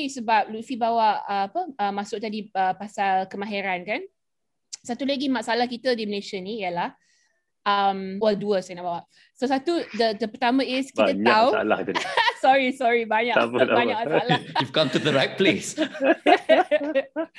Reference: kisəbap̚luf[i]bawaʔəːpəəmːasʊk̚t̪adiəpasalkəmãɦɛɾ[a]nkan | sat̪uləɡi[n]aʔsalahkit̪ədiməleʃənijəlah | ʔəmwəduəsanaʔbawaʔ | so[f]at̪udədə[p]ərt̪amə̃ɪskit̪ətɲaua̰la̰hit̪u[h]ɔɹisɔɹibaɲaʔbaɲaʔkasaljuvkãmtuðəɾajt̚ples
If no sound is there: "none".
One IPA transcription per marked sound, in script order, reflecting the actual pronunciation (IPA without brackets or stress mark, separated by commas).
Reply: i, a, m, s, p, s